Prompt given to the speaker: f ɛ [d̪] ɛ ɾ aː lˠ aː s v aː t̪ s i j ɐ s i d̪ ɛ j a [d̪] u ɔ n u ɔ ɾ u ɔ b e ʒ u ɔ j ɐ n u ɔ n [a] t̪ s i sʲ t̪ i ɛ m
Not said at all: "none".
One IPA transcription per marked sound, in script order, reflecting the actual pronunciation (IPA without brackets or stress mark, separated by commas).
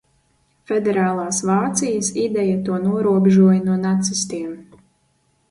d̪, t̪, a